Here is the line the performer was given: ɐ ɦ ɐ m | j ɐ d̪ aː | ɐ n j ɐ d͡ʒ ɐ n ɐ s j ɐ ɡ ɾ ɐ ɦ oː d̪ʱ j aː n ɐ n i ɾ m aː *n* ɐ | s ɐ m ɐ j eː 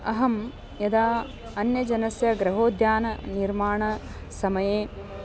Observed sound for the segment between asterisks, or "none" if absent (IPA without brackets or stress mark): ɳ